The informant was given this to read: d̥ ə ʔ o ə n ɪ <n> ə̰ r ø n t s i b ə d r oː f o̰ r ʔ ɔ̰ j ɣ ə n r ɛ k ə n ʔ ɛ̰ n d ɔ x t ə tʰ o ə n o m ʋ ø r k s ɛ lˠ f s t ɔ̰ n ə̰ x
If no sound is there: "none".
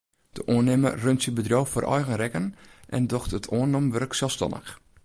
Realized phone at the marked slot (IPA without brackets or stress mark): m